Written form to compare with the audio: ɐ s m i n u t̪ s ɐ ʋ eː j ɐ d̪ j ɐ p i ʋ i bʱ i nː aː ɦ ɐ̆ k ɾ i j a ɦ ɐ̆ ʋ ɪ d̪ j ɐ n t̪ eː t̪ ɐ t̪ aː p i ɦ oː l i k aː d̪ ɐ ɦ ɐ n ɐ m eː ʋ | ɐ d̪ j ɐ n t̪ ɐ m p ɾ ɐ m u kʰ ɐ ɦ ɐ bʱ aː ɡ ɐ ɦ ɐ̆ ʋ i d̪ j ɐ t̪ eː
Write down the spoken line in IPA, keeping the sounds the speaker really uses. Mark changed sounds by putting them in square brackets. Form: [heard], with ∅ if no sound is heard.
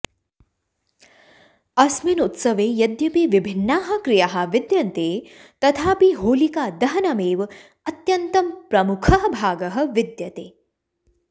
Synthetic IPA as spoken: ɐ s m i n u t̪ s ɐ ʋ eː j ɐ d̪ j ɐ p i ʋ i bʱ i nː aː ɦ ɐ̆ k ɾ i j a ɦ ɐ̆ ʋ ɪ d̪ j ɐ n t̪ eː t̪ ɐ [t̪ʰ] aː p i ɦ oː l i k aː d̪ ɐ ɦ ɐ n ɐ m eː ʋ | ɐ [t̪] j ɐ n t̪ ɐ m p ɾ ɐ m u kʰ ɐ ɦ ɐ bʱ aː ɡ ɐ ɦ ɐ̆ ʋ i d̪ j ɐ t̪ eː